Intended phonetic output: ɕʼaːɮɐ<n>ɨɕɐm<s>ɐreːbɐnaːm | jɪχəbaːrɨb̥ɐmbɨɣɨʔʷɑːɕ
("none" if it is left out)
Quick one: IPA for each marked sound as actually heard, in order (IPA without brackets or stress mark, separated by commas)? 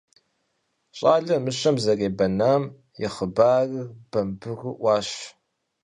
m, z